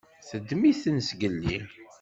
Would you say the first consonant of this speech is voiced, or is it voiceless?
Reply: voiceless